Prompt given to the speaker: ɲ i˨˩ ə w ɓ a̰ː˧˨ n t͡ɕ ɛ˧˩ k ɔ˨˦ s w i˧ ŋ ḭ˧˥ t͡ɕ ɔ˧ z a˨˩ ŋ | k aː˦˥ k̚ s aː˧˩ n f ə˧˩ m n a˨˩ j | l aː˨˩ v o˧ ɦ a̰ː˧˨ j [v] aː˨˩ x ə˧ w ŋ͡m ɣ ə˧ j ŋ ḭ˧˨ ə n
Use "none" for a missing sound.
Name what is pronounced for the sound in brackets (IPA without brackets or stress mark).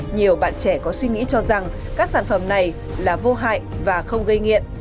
v